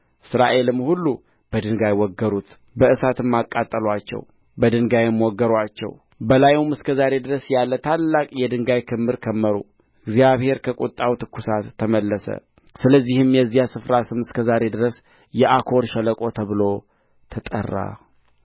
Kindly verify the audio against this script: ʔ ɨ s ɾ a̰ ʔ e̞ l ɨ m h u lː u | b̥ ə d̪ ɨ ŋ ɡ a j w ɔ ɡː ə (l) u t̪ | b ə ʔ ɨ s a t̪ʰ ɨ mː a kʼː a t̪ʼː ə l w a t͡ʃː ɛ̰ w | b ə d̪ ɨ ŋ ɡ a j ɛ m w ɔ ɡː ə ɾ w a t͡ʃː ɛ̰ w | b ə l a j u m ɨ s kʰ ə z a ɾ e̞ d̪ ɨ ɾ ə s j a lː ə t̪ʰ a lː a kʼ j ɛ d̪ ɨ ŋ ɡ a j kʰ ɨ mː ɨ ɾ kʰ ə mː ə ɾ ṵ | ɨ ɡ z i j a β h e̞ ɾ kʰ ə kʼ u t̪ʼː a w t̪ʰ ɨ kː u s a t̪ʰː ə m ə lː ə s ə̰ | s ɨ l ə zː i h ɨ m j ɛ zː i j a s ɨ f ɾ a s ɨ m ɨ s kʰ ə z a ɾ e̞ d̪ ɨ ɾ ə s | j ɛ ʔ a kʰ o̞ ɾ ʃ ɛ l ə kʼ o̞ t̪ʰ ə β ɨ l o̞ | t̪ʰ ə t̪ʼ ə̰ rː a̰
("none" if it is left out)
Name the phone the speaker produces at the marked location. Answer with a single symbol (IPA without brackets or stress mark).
ɾ